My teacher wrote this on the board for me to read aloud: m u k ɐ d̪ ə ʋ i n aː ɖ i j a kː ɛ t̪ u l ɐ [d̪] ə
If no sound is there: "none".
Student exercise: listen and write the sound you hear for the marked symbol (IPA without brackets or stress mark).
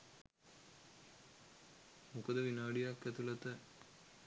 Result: t̪